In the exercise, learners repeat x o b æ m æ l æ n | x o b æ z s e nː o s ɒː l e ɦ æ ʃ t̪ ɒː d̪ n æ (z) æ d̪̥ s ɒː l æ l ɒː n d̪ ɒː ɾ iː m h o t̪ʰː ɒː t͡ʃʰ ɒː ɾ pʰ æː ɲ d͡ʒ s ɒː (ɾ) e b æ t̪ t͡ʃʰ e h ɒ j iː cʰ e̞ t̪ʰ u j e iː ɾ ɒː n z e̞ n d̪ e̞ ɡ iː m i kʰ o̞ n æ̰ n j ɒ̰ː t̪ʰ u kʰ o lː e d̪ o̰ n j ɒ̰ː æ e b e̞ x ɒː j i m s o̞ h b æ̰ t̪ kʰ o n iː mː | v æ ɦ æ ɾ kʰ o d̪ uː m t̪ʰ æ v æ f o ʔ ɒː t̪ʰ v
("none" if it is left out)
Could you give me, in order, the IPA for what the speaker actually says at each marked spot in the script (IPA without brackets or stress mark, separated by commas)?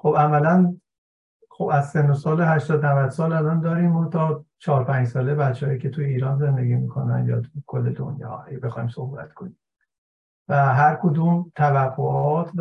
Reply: v, l